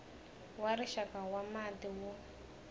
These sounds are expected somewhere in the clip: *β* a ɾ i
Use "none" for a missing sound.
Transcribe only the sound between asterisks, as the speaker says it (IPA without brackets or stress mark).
w